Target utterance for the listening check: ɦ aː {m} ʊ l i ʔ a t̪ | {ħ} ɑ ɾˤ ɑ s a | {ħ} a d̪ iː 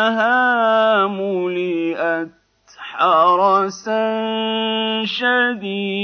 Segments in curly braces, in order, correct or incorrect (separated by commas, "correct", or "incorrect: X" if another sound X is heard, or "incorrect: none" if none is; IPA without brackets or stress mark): correct, correct, incorrect: ʃ